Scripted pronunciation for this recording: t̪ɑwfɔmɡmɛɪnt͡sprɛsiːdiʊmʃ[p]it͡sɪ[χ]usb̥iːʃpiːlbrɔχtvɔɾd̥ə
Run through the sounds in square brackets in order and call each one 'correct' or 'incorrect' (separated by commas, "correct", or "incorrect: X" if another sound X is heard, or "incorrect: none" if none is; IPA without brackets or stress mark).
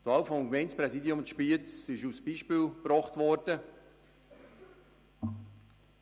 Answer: correct, incorrect: ʃ